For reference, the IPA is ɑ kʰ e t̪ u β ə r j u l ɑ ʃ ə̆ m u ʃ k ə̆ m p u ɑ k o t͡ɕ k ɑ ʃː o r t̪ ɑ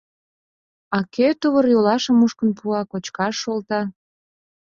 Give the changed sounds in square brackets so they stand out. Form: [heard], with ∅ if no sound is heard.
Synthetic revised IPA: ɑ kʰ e t̪ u β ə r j [o] l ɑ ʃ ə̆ m u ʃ k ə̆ [n] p u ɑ k o t͡ɕ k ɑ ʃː o [l] t̪ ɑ